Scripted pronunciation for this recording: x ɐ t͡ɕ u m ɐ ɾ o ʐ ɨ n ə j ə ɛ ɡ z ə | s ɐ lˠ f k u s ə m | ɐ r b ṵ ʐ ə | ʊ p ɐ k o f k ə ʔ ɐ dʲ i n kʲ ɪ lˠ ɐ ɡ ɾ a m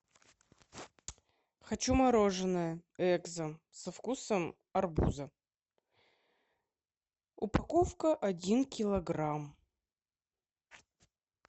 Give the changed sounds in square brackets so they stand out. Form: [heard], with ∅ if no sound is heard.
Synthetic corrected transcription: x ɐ t͡ɕ u m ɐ ɾ o ʐ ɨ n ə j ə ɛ ɡ z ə | s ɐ [∅] f k u s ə m | ɐ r b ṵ [z] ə | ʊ p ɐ k o f k ə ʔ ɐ dʲ i n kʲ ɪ lˠ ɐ ɡ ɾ a m